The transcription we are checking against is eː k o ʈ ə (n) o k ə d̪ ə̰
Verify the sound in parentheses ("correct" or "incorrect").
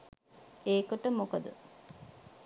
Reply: incorrect